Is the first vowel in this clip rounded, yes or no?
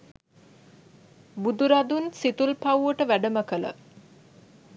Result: yes